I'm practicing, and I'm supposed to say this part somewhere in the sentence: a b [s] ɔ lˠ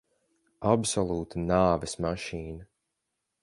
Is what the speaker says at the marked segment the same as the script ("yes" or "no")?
yes